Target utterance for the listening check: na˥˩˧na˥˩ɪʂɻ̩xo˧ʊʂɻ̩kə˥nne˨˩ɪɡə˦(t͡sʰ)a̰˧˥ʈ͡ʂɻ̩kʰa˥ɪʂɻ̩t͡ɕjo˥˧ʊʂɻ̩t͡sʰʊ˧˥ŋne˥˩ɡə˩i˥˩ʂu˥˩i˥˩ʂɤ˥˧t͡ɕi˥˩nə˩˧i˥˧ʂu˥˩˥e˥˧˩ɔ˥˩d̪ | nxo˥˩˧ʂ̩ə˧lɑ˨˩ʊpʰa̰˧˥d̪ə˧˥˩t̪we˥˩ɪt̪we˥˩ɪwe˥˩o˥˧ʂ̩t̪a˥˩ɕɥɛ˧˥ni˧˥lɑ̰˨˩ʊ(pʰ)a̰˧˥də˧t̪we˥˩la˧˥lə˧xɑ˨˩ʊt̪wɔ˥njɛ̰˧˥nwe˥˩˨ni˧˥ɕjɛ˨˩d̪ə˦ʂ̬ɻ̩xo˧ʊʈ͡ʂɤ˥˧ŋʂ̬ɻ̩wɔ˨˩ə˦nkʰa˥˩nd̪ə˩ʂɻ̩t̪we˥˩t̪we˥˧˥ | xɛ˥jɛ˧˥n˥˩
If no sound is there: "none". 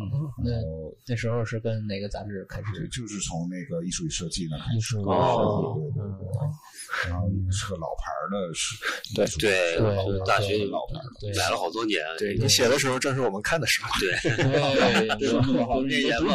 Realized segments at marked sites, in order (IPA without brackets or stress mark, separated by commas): t͡s, pʰ